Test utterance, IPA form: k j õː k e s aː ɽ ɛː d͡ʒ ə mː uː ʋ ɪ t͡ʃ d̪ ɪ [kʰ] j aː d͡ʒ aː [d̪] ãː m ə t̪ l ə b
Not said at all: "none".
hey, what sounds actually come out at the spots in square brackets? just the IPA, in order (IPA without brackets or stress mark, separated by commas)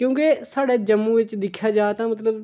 kʰ, t̪